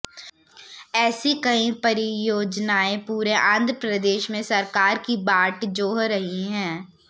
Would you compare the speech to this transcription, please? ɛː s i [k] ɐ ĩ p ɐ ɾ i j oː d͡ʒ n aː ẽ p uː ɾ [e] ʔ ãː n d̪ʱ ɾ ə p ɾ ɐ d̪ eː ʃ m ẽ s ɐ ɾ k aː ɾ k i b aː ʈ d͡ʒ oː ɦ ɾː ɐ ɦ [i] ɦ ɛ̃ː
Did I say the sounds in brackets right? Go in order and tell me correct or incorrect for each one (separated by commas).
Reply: correct, correct, correct